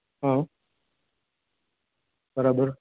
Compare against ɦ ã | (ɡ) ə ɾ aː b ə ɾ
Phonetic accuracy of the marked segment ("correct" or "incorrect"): incorrect